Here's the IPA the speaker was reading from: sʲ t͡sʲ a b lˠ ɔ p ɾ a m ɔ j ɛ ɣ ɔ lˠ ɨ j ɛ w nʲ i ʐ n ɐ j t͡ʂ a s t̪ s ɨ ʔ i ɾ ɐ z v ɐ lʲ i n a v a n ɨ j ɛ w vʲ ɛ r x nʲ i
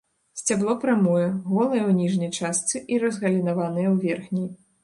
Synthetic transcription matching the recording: sʲ t͡sʲ a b lˠ ɔ p ɾ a m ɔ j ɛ ɣ ɔ lˠ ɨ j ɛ w nʲ i ʐ n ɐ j t͡ʂ a s t̪ s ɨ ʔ i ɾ ɐ z ɣ ɐ lʲ i n a v a n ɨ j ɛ w vʲ ɛ r x nʲ i